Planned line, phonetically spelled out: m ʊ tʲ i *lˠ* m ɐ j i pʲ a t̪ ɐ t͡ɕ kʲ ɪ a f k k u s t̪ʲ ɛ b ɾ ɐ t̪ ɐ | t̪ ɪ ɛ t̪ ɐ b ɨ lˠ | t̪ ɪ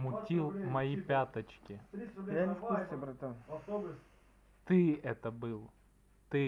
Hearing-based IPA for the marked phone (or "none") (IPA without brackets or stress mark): lˠ